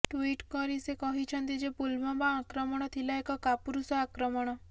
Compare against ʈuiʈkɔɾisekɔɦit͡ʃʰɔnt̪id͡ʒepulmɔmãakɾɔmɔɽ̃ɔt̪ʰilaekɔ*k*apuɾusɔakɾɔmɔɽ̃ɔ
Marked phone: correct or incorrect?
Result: correct